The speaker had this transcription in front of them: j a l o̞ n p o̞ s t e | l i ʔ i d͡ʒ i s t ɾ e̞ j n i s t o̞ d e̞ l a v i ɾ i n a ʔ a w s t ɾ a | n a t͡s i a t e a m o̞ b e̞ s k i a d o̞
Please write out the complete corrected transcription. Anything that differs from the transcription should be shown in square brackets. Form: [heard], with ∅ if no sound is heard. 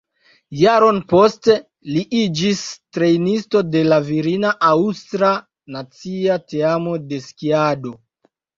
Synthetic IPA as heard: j a [ɾ] o̞ n p o̞ s t e | l i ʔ i d͡ʒ i s t ɾ e̞ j n i s t o̞ d e̞ l a v i ɾ i n a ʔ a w s t ɾ a | n a t͡s i a t e a m o̞ [d] e̞ s k i a d o̞

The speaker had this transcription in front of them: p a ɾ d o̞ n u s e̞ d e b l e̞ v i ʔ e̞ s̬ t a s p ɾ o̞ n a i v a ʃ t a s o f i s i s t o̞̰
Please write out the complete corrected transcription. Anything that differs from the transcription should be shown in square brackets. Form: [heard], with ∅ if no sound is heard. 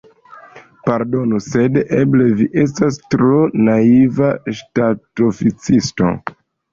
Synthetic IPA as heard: p a ɾ d o̞ n u s e̞ d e b l e̞ v i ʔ e̞ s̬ t a s [t] ɾ o̞ n a i v a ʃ t a [t] o f i [t͡s] i s t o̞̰

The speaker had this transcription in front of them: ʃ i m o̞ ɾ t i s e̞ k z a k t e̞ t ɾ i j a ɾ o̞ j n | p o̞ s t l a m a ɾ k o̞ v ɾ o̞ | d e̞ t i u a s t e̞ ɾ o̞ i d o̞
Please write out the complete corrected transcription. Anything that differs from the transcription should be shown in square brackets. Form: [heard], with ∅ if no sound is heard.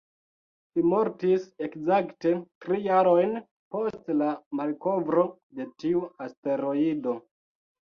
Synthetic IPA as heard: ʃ i m o̞ ɾ t i s e̞ k z a k t e̞ t ɾ i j a ɾ o̞ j n | p o̞ s t l a m a [l] k o̞ v ɾ o̞ | d e̞ t i u a s t e̞ ɾ o̞ i d o̞

